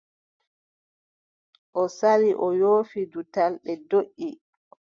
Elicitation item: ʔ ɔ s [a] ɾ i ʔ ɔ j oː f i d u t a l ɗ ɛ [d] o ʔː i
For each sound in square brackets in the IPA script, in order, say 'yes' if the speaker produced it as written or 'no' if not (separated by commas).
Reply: yes, yes